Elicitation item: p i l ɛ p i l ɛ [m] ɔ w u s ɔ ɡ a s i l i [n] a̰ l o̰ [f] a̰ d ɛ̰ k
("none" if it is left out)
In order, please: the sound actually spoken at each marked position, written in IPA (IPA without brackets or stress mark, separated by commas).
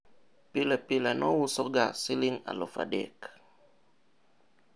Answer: n, ŋ, f